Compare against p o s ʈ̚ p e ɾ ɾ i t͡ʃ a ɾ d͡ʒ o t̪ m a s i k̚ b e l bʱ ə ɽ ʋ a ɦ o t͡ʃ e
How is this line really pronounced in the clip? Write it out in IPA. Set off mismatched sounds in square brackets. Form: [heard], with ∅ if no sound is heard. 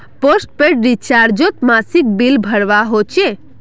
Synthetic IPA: p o s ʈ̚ p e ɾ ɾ i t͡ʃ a ɾ d͡ʒ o t̪ m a s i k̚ b [i] l bʱ ə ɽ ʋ a ɦ o t͡ʃ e